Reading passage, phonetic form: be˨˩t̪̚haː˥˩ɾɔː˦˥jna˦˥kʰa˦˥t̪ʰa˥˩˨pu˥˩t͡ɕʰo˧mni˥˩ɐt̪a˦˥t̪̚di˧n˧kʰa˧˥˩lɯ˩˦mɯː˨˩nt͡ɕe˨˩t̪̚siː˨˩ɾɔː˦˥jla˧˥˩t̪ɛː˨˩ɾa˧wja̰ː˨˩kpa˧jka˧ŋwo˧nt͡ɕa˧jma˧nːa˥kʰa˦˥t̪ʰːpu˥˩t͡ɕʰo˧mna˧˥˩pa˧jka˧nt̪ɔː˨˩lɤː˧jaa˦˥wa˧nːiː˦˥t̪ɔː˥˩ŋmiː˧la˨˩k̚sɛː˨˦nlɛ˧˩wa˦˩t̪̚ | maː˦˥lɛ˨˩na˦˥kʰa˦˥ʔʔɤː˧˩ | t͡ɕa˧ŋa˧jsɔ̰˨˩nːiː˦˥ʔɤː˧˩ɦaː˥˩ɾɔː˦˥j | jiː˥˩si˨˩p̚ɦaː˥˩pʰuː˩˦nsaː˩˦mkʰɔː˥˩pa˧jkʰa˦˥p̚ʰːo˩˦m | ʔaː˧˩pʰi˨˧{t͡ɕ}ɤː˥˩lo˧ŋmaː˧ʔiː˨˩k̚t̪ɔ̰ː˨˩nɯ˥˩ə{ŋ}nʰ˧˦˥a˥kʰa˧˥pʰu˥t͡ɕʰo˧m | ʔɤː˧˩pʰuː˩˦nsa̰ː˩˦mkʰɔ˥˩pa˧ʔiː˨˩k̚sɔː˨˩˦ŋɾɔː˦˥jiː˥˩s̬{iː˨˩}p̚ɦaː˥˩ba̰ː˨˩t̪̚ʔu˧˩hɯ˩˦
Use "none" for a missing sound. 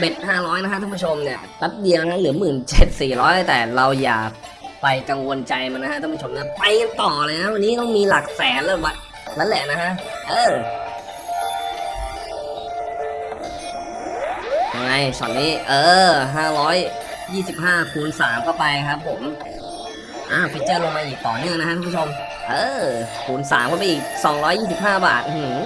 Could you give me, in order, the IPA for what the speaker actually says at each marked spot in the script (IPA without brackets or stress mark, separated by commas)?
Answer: t͡ɕ, ŋ, i˨˩